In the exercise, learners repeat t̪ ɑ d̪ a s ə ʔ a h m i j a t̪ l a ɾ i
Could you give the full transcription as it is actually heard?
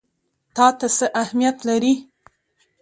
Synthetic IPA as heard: t̪ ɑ t̪ a s ə ʔ a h m i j a t̪ l a ɾ i